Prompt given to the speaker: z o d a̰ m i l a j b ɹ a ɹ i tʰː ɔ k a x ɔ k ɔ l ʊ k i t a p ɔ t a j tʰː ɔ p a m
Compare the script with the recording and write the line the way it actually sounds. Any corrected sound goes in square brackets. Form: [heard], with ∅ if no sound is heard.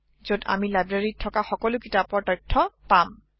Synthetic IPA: z o d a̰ m i l a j b ɹ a ɹ i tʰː ɔ k a x ɔ k ɔ l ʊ k i t a p ɔ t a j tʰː ɔ p a m